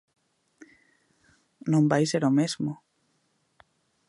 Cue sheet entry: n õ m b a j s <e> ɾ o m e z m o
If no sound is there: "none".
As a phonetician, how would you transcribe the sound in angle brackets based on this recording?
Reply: e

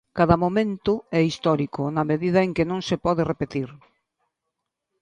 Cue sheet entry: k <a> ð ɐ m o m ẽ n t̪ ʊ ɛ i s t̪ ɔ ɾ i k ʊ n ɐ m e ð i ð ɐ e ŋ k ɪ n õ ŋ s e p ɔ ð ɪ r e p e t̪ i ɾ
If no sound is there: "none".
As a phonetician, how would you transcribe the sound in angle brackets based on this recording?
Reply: a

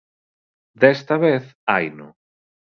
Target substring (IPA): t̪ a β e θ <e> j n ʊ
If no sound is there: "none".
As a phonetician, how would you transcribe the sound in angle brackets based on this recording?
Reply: a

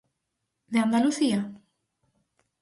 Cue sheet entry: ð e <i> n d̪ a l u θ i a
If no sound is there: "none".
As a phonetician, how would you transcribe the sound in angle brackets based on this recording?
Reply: a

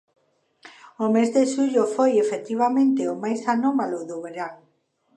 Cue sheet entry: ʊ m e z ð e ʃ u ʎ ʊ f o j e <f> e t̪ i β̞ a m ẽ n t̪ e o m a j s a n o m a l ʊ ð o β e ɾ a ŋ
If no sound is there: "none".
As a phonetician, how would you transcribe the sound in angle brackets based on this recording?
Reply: f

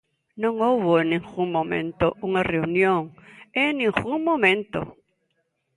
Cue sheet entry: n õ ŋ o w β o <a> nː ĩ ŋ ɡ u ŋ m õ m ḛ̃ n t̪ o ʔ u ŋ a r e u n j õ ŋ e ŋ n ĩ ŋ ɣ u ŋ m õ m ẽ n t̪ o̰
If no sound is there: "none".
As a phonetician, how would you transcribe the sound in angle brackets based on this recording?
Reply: e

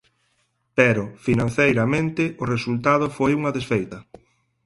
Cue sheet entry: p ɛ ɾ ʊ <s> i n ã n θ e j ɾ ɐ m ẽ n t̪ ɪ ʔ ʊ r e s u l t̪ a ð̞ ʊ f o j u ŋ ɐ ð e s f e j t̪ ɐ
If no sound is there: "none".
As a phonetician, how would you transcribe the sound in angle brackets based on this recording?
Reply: f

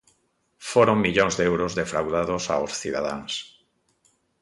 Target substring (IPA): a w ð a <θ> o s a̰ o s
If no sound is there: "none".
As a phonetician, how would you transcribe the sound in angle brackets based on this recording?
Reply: ð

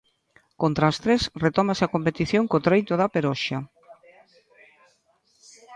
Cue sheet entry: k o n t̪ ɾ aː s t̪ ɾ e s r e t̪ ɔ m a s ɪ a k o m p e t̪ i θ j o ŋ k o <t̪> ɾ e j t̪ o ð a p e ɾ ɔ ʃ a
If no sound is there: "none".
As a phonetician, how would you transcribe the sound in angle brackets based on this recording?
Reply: t̪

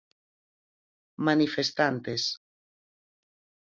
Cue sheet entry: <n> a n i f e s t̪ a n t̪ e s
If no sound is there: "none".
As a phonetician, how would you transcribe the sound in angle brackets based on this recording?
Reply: m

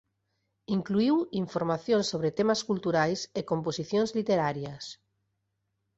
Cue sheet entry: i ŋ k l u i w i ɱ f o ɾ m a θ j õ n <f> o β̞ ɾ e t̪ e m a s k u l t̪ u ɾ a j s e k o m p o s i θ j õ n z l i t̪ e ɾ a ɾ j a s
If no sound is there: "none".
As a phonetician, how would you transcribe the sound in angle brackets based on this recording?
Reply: s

